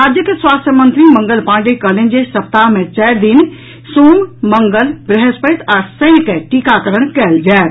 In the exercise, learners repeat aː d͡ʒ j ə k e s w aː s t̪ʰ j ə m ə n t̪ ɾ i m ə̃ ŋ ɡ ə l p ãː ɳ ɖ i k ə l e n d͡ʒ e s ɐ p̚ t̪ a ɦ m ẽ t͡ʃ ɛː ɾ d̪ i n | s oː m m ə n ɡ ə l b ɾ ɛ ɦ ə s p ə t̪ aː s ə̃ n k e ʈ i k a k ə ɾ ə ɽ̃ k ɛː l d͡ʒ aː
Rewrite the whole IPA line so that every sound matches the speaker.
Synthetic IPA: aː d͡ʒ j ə k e s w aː s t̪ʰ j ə m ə n t̪ ɾ i m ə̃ ŋ ɡ ə l p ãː ɳ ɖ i k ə l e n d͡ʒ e s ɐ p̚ t̪ a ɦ m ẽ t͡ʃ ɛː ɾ d̪ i n | s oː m m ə ŋ ɡ ə l b ɾ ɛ ɦ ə s p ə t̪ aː s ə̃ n k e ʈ i k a k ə ɾ ə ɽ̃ k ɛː l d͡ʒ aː